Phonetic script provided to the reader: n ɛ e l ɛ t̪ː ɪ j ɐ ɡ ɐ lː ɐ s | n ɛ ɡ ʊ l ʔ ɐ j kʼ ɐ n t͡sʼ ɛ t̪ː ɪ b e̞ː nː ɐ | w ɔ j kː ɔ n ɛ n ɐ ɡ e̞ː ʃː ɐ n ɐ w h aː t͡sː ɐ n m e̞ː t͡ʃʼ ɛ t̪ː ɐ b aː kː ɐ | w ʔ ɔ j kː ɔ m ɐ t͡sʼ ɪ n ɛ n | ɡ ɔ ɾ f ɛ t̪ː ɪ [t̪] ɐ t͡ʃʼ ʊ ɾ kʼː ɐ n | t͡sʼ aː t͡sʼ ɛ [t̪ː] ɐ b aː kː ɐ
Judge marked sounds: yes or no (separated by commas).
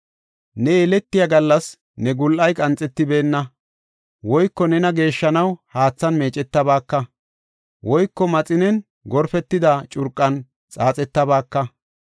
no, yes